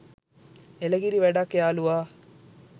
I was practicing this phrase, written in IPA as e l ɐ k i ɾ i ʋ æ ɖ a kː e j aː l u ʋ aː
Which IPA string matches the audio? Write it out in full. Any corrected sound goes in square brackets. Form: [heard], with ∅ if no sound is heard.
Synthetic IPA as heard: e l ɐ [ɡ] i ɾ i ʋ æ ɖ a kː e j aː l u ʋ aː